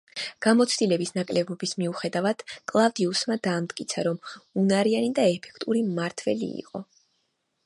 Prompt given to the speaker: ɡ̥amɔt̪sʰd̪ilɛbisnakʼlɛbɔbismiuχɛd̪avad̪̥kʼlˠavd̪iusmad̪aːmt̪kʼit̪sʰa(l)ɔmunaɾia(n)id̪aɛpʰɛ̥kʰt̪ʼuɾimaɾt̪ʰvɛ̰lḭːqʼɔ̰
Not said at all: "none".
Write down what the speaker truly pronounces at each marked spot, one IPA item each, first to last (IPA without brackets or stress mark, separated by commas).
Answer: ɾ, n